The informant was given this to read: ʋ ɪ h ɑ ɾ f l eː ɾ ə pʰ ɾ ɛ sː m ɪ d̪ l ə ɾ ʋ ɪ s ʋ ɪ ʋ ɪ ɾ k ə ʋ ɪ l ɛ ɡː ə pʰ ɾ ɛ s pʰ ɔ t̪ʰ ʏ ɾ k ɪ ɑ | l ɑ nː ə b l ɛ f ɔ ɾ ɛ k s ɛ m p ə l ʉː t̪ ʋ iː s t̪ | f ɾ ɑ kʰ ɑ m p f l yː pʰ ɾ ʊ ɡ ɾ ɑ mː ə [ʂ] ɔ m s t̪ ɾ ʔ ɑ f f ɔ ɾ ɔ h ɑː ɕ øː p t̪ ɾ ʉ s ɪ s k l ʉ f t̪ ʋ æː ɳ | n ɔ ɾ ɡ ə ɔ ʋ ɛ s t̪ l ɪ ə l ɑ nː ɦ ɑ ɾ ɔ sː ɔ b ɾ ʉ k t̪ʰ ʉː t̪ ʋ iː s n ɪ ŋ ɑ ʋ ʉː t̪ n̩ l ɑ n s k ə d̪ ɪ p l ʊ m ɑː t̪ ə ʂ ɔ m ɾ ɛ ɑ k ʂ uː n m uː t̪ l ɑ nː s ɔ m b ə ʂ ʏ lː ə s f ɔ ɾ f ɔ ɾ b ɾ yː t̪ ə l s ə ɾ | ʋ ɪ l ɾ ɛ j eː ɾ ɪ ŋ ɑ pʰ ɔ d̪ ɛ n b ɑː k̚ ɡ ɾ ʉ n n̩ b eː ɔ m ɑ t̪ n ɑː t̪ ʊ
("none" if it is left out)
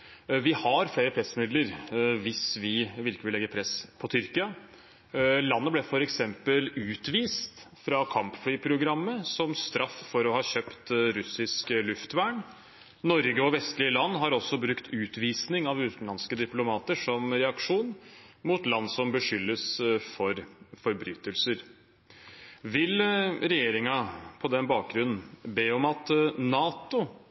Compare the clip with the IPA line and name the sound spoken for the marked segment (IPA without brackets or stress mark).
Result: s